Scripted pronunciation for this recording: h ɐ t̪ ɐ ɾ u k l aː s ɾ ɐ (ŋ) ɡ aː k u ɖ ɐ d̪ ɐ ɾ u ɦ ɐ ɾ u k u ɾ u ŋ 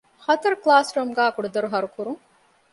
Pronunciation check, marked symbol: incorrect: m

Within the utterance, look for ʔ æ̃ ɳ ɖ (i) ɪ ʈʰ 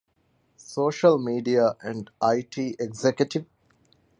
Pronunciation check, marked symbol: incorrect: a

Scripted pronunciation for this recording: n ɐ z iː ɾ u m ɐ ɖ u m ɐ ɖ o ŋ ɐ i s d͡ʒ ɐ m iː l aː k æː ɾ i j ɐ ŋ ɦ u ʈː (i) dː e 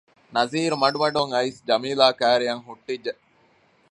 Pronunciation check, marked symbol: correct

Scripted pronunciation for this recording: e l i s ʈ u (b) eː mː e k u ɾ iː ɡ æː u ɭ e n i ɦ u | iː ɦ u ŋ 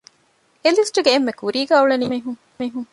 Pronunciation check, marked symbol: incorrect: ɡ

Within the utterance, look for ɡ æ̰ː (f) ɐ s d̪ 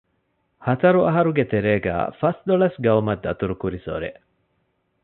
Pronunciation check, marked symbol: correct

